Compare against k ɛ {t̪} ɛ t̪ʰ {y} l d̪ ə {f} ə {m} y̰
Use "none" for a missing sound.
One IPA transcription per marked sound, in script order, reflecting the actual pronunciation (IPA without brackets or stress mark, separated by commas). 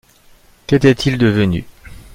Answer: t̪, i, v, n